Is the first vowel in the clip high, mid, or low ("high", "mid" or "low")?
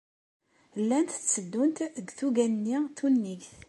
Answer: low